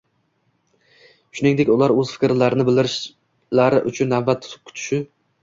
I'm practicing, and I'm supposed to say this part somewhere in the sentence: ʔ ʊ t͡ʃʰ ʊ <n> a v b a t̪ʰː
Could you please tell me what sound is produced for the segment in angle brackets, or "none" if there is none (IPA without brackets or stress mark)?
nː